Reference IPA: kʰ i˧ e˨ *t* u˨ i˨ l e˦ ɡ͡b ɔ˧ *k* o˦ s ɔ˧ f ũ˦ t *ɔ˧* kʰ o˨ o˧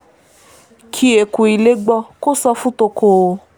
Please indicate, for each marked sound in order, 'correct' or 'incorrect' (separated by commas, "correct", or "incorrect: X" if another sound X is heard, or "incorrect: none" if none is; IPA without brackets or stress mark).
incorrect: k, correct, incorrect: o˧